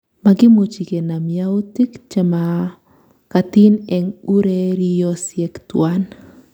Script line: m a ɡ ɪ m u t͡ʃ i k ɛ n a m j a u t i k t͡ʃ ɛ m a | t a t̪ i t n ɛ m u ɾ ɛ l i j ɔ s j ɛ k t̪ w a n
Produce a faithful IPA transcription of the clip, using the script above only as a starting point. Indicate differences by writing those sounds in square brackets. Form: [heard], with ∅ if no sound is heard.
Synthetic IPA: m a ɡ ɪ m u t͡ʃ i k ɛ n a m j a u t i k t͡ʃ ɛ m a | [k] a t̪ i [∅] n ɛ [ŋ] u ɾ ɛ [ɾ] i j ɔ s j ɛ k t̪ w a n